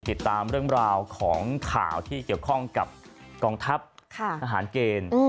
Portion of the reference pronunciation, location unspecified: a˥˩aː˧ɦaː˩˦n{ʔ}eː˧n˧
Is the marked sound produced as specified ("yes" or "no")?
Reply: no